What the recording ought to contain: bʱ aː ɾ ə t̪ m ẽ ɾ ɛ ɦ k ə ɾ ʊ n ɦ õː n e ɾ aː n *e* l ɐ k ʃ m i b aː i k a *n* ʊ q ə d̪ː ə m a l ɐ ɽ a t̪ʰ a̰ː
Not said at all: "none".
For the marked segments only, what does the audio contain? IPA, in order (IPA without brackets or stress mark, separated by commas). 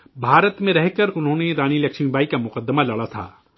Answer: i, m